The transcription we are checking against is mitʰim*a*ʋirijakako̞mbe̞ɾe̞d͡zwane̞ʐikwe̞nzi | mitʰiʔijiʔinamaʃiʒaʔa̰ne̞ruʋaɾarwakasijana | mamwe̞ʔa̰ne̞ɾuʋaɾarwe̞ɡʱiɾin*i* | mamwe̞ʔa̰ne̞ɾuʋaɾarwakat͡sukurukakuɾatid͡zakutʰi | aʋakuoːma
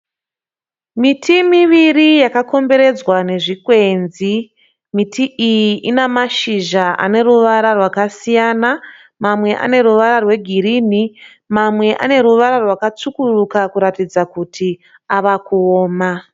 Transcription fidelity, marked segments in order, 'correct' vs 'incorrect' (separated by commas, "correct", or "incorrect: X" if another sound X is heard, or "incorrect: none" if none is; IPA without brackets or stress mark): incorrect: i, correct